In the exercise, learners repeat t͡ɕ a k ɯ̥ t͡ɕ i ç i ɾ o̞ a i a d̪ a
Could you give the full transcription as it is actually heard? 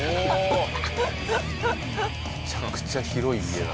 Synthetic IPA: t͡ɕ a k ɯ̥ t͡ɕ a ç i ɾ o̞ i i e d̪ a